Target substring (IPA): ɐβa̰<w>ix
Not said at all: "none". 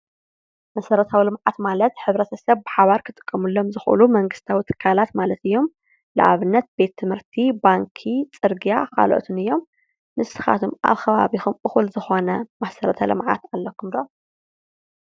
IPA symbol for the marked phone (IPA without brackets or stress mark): β